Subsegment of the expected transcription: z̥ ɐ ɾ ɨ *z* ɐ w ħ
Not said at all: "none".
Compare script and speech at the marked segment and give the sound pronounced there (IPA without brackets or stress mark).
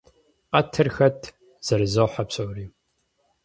z